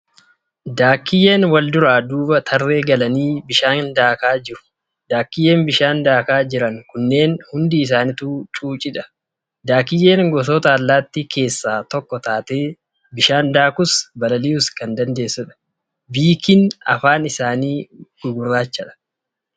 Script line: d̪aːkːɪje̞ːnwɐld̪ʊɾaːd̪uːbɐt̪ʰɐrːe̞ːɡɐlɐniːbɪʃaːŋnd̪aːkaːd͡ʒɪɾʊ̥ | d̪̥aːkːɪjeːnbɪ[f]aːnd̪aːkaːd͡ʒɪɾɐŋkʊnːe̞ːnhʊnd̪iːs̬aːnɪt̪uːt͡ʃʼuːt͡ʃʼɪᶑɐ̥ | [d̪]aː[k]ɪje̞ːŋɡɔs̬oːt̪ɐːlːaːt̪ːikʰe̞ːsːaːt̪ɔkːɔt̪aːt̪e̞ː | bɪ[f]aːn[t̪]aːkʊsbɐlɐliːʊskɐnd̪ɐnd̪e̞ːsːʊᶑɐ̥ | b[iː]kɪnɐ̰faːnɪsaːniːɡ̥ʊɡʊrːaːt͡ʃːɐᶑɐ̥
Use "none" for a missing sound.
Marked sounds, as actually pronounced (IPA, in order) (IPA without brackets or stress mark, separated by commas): ʃ, d̪, k, ʃ, d̪, iː